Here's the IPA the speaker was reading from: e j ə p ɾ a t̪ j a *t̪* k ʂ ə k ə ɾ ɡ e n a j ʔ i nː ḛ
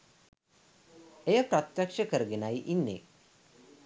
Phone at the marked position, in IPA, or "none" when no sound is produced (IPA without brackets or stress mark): none